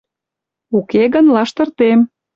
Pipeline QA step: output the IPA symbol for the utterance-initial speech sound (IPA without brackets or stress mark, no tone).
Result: u